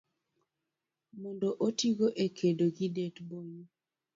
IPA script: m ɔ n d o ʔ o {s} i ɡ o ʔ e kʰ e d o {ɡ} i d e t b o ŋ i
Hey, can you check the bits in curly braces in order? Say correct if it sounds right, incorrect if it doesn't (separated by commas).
incorrect, correct